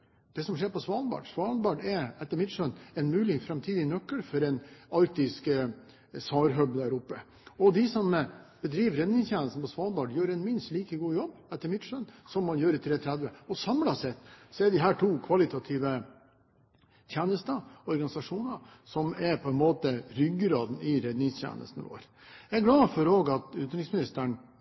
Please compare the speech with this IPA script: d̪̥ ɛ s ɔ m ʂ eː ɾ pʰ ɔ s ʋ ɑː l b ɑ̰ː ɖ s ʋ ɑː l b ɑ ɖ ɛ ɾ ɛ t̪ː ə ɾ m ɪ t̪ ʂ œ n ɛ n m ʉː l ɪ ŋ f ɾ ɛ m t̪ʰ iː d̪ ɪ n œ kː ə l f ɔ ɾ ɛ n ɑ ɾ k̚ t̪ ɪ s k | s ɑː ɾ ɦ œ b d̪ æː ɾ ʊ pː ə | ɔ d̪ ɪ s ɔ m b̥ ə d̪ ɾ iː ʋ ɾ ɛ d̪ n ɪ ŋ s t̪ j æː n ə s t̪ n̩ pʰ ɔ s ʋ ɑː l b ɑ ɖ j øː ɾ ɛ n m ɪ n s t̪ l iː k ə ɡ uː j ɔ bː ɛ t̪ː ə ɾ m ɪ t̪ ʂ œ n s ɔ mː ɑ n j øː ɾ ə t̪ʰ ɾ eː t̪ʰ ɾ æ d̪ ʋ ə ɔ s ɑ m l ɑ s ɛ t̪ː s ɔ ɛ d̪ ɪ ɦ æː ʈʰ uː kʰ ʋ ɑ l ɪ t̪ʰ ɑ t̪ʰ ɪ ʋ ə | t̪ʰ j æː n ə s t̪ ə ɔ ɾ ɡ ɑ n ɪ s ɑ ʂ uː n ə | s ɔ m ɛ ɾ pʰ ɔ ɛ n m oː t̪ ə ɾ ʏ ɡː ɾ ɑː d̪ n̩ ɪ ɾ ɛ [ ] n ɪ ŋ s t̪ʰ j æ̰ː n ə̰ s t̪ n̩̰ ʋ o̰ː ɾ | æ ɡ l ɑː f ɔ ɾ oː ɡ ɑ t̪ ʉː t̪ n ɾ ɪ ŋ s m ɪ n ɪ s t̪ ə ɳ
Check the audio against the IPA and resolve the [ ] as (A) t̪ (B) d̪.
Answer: B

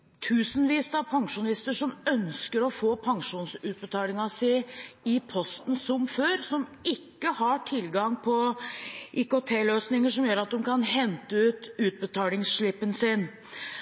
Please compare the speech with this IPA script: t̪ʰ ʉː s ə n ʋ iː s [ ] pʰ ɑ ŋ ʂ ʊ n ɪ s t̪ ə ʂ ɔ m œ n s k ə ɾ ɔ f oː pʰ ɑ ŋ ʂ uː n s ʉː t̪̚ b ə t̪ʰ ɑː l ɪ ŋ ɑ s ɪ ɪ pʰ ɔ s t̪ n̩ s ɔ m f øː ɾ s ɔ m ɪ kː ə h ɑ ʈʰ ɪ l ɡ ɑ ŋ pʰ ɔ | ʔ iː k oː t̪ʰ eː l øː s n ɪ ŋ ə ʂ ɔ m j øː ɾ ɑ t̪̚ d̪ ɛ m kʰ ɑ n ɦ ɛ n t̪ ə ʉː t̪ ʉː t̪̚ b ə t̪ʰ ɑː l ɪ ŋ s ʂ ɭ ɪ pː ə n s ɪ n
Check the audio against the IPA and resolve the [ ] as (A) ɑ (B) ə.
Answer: A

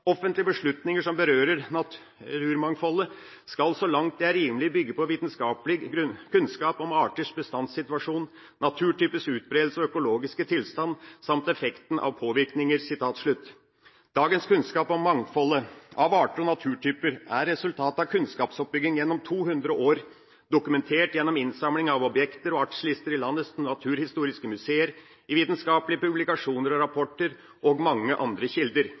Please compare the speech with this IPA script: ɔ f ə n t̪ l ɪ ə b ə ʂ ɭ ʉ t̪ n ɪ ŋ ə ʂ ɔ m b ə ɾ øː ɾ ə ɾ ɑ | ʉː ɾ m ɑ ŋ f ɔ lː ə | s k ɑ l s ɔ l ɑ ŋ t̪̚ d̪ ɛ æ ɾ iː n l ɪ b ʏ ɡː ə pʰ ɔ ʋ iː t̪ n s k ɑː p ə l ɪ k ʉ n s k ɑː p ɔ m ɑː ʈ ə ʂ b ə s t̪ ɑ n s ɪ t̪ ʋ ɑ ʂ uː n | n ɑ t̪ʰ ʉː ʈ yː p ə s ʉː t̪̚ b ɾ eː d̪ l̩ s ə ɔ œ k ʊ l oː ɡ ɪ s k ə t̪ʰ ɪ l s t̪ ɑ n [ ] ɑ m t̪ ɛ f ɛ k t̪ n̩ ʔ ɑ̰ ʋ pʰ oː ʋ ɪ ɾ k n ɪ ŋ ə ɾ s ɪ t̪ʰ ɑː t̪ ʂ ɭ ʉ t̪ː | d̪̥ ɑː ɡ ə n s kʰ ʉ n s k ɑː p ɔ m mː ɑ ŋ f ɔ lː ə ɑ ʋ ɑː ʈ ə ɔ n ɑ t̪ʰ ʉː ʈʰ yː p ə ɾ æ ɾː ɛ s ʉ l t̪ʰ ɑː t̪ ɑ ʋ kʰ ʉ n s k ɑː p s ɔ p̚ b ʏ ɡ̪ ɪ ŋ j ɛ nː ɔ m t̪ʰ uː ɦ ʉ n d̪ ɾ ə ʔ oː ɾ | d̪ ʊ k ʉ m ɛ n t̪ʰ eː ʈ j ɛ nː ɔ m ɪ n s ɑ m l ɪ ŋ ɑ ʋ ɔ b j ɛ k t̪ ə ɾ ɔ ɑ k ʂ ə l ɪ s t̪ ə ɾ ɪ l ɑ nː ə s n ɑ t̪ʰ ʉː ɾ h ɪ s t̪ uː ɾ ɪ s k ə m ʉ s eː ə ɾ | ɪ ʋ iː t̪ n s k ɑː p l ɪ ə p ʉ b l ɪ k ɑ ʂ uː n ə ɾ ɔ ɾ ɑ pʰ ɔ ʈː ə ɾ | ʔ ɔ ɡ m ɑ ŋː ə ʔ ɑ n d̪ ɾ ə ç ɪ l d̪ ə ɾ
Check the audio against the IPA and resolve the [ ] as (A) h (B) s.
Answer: B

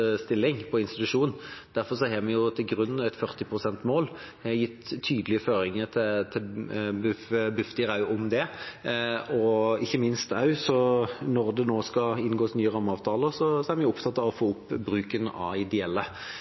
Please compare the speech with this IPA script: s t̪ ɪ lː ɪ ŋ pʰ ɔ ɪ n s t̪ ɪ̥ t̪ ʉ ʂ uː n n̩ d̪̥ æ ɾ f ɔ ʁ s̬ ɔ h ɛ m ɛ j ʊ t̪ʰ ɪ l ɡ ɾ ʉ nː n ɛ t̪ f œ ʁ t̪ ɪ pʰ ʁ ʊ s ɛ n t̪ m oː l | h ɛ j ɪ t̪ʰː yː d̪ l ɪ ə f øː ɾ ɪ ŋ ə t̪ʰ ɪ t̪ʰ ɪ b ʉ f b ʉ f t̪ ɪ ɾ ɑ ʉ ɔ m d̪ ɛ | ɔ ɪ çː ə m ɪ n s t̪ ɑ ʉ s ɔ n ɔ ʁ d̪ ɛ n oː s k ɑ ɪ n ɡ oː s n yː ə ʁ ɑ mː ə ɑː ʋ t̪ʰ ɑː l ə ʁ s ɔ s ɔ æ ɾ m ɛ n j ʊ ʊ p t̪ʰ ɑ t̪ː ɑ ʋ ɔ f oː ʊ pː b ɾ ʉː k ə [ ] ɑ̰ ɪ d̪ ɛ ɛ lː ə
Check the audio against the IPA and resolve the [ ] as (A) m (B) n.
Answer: B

